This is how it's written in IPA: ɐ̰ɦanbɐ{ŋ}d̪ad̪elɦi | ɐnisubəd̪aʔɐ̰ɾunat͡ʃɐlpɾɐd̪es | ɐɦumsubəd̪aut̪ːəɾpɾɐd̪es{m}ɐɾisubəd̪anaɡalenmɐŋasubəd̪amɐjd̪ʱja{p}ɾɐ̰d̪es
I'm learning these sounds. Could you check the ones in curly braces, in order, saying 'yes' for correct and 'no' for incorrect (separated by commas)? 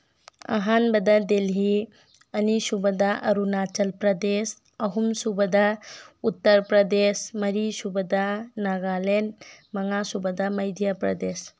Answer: no, yes, yes